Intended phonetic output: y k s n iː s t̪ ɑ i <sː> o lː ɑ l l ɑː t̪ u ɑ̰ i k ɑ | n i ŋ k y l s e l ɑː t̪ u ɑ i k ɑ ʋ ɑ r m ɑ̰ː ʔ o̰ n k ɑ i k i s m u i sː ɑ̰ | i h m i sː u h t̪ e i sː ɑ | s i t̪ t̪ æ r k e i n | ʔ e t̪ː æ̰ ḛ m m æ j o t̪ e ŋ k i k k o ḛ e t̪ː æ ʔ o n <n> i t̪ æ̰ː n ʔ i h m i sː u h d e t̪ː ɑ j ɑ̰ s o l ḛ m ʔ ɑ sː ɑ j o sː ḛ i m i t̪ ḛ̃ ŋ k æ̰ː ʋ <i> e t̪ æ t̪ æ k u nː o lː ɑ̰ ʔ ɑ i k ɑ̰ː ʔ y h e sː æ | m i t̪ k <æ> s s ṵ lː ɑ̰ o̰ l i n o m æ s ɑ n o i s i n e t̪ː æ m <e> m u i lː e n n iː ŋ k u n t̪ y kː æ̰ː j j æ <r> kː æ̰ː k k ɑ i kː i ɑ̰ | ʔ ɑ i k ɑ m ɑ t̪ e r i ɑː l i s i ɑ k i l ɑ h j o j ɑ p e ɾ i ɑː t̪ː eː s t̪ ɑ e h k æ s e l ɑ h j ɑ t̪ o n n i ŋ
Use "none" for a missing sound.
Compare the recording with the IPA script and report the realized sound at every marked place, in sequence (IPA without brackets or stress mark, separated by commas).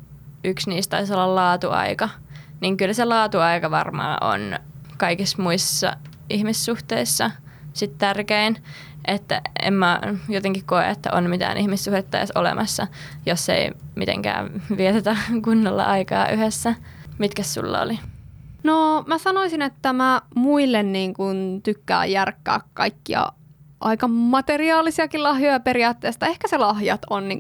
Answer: s, m, i, æ, æ, r